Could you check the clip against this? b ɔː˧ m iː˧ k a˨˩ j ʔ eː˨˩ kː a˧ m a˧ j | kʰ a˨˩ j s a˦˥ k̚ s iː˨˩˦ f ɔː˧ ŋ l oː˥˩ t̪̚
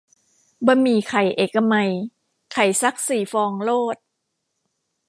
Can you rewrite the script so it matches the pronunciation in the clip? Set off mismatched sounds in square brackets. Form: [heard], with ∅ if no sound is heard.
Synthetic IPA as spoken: b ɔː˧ m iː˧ [kʰ] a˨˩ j ʔ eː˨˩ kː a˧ m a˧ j | kʰ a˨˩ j s a˦˥ k̚ s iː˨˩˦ f ɔː˧ ŋ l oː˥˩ t̪̚